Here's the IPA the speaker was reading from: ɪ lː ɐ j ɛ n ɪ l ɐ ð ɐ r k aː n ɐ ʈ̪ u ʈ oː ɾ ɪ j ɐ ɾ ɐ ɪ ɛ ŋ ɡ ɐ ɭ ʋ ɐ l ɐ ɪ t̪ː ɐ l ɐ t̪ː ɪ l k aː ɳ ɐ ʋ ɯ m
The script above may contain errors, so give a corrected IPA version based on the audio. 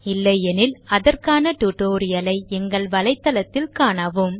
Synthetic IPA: ɪ lː ɐ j ɛ n ɪ l ɐ ð ɐ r k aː n ɐ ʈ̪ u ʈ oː ɾ ɪ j ɐ l ɐ ɪ ɛ ŋ ɡ ɐ ɭ ʋ ɐ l ɐ ɪ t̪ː ɐ l ɐ t̪ː ɪ l k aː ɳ ɐ ʋ ɯ m